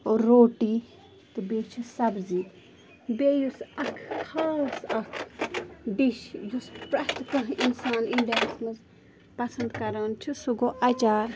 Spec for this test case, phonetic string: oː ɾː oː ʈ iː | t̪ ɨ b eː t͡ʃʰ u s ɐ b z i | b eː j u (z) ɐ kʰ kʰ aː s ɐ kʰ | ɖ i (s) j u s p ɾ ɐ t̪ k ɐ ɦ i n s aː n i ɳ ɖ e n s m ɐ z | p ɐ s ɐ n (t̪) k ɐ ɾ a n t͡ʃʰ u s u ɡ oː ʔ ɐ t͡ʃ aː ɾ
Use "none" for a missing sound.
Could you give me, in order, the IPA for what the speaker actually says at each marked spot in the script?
s, ʃ, d̪

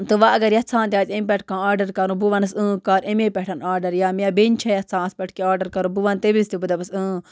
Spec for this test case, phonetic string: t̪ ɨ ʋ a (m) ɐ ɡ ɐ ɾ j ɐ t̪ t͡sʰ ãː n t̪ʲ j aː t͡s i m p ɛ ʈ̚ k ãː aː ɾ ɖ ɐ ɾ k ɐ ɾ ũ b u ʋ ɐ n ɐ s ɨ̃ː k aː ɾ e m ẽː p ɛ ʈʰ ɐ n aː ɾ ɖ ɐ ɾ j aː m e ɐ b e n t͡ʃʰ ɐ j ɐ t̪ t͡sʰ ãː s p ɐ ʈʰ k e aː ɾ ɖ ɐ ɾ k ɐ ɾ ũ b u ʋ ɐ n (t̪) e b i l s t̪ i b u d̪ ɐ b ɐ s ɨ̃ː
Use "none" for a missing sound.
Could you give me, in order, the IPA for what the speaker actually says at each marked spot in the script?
none, t̪

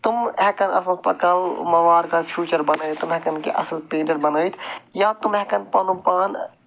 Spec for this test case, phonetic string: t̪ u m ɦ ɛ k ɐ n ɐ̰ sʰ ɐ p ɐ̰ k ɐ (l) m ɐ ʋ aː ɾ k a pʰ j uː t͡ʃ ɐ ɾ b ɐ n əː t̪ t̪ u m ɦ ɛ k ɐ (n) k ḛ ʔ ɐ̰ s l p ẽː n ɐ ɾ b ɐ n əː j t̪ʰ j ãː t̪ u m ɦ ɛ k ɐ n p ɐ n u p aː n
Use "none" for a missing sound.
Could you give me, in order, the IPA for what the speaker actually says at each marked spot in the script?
l, n

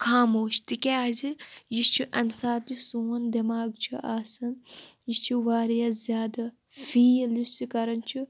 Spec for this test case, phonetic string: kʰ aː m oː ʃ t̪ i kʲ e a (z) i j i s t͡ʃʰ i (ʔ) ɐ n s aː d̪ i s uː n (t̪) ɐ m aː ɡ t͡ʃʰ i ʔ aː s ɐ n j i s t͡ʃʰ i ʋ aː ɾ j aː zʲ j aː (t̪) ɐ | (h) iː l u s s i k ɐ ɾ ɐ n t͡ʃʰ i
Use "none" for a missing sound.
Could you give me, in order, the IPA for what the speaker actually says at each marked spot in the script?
z, ʔ, d̪, d̪, f

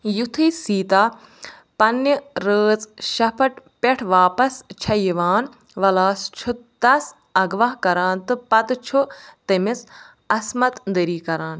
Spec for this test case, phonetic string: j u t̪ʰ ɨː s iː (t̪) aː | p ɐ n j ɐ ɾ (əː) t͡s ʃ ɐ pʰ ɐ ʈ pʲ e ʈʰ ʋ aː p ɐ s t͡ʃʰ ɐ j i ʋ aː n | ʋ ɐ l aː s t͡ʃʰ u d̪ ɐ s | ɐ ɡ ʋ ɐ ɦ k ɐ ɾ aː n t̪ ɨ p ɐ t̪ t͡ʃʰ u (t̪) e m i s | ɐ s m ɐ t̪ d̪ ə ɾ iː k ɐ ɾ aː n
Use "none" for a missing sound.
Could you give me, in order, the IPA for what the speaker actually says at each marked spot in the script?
t̪, əː, t̪

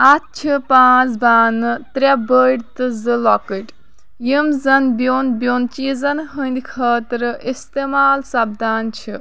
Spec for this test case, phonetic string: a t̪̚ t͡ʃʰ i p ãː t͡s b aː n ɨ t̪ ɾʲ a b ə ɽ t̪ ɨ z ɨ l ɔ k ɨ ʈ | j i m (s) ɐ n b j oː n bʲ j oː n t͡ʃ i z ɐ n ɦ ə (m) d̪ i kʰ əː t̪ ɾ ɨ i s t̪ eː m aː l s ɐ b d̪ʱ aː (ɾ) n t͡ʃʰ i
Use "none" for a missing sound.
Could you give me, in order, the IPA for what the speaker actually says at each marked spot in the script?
z, n, none

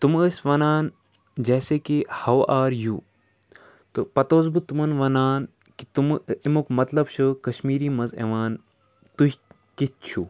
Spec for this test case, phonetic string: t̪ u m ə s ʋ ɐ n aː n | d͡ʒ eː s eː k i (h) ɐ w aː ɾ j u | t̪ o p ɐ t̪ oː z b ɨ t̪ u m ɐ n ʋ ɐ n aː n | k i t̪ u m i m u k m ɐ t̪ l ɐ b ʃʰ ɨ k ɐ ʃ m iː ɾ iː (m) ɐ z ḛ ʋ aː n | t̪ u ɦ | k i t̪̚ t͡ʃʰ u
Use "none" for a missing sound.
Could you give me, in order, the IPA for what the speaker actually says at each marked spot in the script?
h, m

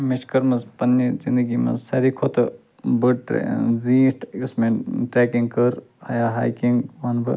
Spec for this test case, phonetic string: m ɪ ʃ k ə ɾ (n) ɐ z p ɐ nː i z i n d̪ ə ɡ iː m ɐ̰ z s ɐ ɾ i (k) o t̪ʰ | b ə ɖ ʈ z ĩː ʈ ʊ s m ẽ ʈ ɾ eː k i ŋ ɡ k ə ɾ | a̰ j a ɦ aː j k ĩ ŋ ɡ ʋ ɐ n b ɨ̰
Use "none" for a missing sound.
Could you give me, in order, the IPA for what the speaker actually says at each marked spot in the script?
m, kʰ

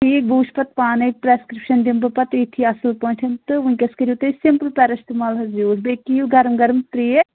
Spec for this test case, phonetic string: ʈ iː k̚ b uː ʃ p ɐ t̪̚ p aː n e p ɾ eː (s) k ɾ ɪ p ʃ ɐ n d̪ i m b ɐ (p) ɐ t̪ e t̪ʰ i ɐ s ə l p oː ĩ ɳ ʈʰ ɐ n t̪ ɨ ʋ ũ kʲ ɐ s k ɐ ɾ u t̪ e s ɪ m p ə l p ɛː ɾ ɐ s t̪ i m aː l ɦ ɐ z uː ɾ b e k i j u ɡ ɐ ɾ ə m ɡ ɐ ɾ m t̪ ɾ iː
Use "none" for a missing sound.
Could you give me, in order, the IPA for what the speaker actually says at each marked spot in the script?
s, p

